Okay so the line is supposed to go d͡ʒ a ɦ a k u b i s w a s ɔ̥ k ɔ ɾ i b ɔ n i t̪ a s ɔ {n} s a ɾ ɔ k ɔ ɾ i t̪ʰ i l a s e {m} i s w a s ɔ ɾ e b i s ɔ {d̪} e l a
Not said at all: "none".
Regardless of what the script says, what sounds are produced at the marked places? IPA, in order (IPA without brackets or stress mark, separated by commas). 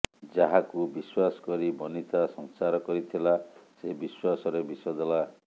ŋ, b, d̪